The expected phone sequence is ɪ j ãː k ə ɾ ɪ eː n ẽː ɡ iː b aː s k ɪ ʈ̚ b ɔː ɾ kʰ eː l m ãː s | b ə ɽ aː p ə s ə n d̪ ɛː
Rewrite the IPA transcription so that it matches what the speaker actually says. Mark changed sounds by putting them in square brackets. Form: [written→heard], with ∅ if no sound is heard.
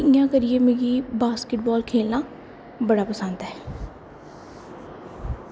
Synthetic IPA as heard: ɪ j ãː k ə ɾ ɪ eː [n→m] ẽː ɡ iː b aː s k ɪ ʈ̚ b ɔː [ɾ→l] kʰ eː l [m→n] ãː [s→∅] | b ə ɽ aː p ə s ə n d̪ ɛː